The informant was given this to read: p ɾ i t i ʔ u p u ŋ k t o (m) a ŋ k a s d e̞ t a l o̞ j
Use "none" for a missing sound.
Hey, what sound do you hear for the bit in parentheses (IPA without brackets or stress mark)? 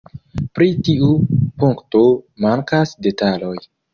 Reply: m